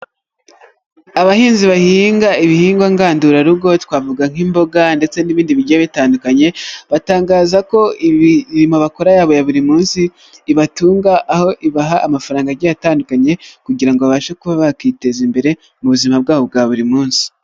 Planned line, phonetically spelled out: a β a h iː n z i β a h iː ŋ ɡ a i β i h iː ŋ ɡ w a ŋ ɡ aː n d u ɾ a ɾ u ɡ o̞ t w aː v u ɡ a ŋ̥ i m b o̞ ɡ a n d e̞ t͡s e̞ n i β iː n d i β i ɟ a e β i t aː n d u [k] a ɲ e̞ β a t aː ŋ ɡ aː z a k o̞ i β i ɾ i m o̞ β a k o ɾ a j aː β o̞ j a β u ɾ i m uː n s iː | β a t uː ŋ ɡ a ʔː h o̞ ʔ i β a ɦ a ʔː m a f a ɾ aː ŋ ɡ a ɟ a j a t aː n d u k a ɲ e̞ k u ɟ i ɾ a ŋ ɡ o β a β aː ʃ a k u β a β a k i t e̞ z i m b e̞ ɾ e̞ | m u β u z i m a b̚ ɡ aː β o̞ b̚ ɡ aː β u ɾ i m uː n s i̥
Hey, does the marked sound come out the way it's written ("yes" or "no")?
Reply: yes